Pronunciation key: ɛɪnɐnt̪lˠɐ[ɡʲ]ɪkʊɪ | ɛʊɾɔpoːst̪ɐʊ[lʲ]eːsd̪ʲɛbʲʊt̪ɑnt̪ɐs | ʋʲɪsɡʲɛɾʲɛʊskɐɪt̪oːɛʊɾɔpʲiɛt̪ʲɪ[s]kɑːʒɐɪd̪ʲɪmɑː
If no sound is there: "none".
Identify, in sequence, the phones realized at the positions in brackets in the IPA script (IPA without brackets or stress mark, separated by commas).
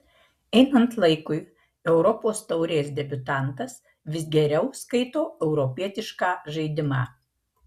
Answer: none, ɾʲ, ʃ